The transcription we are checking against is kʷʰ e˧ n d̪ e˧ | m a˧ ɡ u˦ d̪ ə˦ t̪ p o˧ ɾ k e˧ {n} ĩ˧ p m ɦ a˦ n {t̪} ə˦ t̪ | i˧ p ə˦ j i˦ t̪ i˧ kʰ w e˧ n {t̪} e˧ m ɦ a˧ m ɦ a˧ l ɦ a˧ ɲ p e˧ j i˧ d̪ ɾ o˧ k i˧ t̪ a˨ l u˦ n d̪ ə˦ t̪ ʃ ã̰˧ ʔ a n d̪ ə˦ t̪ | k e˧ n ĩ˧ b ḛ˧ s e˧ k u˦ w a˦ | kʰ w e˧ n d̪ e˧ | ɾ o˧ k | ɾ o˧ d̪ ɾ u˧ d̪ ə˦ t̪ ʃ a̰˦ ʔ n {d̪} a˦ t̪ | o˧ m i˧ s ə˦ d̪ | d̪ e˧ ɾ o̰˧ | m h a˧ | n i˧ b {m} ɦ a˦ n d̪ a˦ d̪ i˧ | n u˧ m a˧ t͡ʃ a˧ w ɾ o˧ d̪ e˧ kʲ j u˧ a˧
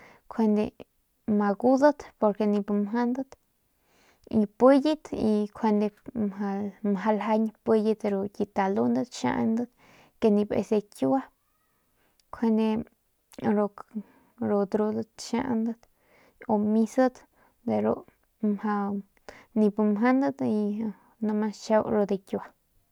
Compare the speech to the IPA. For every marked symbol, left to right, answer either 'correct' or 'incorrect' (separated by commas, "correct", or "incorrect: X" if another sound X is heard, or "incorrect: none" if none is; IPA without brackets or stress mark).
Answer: correct, incorrect: d̪, incorrect: d̪, correct, correct